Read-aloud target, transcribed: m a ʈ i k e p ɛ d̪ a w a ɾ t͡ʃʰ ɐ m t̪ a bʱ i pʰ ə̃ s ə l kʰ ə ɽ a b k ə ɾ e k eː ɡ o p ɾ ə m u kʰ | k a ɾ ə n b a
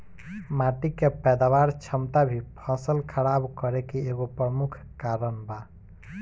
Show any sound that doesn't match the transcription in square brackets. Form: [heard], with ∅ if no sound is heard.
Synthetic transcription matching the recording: m a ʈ i k e p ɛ d̪ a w a ɾ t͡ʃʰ [ə] m t̪ a bʱ i pʰ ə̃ s ə l kʰ ə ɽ a b k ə ɾ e k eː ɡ o p ɾ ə m u kʰ | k a ɾ ə n b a